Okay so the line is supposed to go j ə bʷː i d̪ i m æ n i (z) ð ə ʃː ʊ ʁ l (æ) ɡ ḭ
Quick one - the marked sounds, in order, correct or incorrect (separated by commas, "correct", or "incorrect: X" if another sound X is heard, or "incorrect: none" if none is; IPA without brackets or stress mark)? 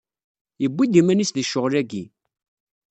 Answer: incorrect: s, correct